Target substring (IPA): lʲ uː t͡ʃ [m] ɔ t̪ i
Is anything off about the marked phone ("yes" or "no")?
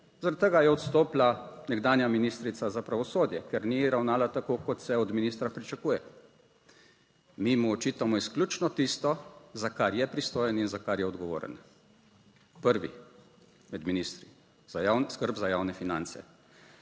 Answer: yes